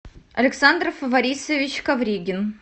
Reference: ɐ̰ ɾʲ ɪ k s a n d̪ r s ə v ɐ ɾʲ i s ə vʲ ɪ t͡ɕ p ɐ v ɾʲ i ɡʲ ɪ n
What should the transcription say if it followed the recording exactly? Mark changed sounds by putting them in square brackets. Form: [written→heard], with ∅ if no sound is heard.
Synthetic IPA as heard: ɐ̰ [ɾʲ→lʲ] ɪ k s a n d̪ r [s→f] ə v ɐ ɾʲ i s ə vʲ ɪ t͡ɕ [p→k] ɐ v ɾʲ i ɡʲ ɪ n